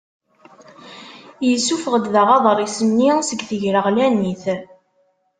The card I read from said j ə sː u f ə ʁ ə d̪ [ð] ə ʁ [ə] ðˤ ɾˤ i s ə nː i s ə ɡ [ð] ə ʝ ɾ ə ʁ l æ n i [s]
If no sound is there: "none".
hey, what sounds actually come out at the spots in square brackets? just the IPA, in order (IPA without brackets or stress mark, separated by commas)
ð, ɑ, θ, θ